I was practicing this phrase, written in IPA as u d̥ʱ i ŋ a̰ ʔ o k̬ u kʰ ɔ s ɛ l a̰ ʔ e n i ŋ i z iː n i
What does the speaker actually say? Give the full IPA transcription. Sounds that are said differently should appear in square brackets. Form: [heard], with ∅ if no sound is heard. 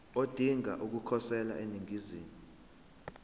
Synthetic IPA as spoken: [o] d̥ʱ i ŋ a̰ ʔ [u] k̬ u kʰ ɔ s ɛ l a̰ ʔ e n i ŋ i z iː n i

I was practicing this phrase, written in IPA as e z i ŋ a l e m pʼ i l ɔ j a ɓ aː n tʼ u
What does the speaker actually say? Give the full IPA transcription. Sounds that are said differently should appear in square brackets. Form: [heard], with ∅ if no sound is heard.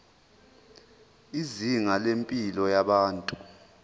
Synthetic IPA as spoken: [i] z i ŋ a l e m pʼ i l ɔ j a ɓ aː n tʼ u

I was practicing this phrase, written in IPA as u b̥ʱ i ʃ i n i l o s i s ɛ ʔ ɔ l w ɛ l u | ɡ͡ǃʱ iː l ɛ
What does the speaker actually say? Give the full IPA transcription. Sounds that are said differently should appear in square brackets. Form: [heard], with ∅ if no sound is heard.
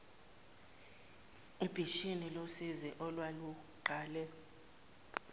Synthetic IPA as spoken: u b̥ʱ i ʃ i n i l o s i [z] ɛ ʔ ɔ l w [a] l u | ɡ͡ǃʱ [aː] l ɛ

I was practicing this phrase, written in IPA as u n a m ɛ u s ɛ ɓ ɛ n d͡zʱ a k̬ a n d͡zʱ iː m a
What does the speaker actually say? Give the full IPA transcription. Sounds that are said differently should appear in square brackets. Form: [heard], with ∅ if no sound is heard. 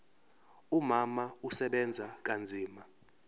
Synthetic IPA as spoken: u [m] a m [a] u s ɛ ɓ ɛ n d͡zʱ a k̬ a n d͡zʱ iː m a

